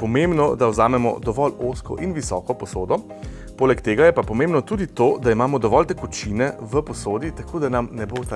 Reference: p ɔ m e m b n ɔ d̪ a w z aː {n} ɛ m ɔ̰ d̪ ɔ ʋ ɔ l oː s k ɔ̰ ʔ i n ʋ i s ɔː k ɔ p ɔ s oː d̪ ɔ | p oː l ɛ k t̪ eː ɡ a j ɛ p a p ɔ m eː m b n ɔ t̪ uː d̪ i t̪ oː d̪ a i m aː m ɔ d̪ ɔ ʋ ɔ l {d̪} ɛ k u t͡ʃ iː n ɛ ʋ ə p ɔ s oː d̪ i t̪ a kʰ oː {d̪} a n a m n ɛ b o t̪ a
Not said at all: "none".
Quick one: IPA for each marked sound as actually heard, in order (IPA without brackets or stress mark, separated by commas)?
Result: m, t̪, d̪